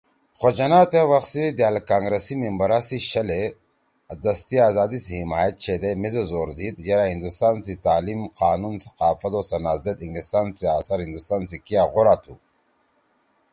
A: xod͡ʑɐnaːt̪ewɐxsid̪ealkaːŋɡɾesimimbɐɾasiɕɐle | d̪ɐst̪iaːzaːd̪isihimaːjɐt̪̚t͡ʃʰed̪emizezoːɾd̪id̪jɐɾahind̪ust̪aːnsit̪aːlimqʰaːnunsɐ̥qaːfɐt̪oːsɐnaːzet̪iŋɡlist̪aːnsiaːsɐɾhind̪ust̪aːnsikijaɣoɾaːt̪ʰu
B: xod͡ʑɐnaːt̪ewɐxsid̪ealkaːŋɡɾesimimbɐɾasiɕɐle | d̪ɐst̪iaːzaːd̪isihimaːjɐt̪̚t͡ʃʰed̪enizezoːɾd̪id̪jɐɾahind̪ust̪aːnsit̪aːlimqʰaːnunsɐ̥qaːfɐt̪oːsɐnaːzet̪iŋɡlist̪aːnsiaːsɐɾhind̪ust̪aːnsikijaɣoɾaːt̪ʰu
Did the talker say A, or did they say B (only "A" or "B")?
A